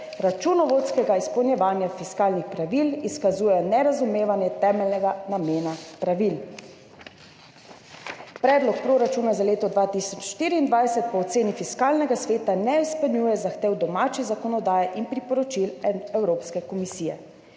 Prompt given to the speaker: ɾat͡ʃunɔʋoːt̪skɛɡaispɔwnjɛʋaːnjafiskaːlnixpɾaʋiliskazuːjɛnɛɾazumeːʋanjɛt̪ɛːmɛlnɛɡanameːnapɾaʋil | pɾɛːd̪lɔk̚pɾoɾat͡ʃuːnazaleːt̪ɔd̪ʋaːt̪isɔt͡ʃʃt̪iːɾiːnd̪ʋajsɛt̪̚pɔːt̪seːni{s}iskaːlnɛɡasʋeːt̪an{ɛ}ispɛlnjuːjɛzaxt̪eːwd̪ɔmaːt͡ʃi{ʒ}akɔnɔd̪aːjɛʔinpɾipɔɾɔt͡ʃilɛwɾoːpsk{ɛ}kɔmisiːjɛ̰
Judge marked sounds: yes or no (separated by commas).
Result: no, yes, no, yes